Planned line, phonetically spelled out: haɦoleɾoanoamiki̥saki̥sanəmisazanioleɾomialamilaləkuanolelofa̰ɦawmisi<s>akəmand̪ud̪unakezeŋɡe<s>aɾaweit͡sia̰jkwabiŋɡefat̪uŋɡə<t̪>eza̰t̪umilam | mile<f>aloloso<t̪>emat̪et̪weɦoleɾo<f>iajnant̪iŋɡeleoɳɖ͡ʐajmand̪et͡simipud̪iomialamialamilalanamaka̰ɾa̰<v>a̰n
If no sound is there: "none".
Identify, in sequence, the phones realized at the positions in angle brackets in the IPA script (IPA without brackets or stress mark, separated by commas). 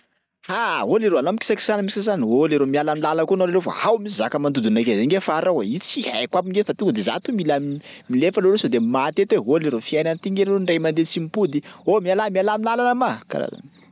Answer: z, f, d̪, f, d̪, f, z